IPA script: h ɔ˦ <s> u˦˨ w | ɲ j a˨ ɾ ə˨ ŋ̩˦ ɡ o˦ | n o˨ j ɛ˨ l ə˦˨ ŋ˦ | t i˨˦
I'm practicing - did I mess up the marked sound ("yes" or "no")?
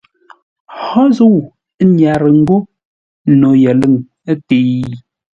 yes